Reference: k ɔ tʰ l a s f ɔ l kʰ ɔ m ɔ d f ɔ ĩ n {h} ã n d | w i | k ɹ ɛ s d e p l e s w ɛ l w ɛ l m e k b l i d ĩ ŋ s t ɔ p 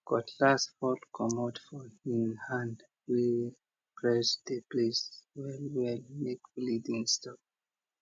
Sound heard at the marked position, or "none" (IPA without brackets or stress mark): h